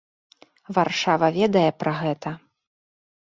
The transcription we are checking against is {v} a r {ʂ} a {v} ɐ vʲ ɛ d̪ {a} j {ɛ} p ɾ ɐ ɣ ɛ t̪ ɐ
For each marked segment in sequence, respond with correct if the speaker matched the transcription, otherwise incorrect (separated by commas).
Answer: correct, correct, correct, incorrect, correct